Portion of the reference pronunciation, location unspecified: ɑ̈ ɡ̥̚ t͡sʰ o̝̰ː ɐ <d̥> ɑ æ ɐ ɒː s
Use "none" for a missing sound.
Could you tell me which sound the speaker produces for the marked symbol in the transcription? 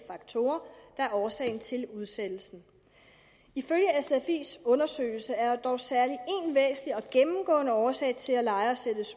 d̥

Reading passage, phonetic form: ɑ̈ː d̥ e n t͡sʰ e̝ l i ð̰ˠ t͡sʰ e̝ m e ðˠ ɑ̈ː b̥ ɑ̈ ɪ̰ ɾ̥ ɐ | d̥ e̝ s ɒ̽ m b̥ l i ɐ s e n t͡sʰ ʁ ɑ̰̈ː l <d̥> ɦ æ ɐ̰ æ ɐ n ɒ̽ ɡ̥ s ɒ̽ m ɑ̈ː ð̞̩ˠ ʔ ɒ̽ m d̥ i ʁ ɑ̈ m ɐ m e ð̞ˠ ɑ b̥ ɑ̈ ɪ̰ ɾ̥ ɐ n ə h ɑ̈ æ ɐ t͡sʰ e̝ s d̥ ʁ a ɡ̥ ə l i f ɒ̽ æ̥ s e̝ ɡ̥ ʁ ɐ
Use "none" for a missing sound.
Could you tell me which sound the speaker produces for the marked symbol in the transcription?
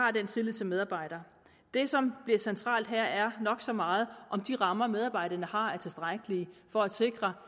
d̥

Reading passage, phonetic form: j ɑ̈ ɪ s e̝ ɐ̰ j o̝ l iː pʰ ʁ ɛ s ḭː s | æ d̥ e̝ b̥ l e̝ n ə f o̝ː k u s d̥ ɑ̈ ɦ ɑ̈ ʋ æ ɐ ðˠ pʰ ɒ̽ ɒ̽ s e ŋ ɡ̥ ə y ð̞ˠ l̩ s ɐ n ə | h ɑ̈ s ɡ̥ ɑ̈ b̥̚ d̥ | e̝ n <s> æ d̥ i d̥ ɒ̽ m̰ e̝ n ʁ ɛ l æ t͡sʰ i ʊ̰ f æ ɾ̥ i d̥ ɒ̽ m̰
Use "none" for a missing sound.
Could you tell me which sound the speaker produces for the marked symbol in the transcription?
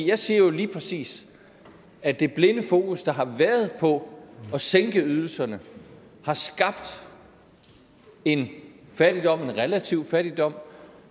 f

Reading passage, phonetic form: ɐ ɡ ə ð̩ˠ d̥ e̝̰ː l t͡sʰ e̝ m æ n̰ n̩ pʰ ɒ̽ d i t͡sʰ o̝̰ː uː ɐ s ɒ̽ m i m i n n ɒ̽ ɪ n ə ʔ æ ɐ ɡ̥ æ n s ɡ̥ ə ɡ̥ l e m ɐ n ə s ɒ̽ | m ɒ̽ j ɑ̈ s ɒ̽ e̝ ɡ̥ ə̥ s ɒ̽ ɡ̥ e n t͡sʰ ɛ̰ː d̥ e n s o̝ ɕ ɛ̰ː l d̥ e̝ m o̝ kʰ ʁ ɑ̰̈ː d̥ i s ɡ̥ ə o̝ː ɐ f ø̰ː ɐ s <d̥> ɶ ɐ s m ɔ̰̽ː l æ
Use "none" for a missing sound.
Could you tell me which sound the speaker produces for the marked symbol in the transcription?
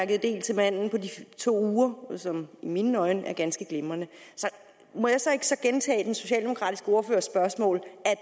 b̥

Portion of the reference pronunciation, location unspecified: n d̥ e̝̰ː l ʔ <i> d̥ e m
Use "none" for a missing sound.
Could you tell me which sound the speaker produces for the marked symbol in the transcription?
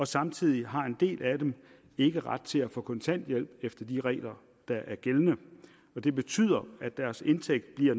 æ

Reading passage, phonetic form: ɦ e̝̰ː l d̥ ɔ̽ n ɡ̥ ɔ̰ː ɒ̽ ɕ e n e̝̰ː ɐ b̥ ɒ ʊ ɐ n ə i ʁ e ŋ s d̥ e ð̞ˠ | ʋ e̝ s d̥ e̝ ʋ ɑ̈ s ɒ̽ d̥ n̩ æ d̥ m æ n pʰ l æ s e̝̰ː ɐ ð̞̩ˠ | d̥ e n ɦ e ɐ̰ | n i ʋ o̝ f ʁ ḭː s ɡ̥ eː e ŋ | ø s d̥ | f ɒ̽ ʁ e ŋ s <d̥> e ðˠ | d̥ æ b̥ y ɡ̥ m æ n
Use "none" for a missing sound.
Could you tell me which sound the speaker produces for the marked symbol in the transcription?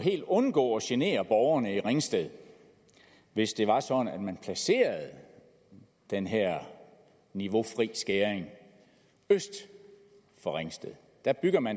d̥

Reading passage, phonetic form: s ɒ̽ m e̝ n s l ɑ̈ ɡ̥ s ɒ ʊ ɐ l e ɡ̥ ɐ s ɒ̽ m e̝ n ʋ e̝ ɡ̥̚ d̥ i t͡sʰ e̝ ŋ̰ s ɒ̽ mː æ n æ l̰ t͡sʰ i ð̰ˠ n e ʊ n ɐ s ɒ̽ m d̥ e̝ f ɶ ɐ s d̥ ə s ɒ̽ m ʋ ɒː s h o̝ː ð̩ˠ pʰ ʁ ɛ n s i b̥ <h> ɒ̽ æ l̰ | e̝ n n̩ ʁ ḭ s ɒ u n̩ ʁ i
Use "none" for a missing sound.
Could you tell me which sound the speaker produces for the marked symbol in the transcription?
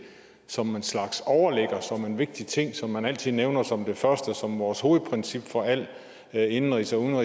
f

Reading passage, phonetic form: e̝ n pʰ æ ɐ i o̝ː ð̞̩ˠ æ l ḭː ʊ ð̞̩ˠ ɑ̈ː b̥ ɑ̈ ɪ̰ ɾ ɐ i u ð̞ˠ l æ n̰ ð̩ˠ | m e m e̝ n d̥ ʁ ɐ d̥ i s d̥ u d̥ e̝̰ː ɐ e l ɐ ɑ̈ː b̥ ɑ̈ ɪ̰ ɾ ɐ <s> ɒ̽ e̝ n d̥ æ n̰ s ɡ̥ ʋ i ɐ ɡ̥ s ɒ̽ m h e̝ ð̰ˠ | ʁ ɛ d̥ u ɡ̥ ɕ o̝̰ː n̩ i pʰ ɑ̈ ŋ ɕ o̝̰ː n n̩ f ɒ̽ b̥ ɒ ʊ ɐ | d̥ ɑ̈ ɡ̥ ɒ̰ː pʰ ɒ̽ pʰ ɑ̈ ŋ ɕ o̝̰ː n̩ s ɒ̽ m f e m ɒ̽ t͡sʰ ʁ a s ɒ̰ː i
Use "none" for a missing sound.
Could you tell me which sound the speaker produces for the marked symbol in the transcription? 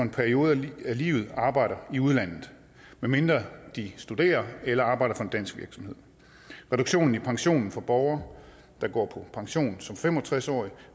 f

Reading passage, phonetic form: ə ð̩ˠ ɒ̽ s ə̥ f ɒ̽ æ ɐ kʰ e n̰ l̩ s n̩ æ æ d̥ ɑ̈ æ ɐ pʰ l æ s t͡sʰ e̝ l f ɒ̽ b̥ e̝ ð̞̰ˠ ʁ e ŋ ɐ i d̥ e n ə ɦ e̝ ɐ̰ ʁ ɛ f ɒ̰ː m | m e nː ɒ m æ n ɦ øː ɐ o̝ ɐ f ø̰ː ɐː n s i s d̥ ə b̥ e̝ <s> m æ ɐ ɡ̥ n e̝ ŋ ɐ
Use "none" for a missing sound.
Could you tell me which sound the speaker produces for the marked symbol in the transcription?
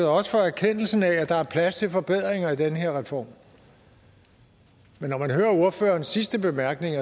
none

